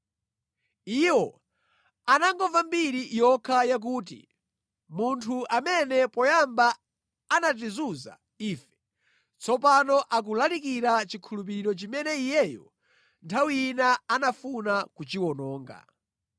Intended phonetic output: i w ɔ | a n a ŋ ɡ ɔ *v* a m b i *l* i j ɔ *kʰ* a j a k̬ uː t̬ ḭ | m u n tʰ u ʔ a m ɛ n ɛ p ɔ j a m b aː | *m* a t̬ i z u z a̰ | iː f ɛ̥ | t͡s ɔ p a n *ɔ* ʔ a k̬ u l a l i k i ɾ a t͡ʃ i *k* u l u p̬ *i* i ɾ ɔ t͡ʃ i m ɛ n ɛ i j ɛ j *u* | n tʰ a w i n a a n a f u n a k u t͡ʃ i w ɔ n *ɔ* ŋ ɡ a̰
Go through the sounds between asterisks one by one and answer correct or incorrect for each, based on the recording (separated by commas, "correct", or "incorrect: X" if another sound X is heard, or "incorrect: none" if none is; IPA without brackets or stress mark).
correct, incorrect: ɾ, correct, incorrect: n, correct, incorrect: kʰ, correct, incorrect: ɔ, incorrect: ɔː